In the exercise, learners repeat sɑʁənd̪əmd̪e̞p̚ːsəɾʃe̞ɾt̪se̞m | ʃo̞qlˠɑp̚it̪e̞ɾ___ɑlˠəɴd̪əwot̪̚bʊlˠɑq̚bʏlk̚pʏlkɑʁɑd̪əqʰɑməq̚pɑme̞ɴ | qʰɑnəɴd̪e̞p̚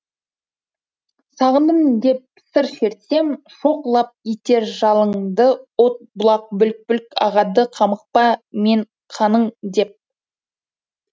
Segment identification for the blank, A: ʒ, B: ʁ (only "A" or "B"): A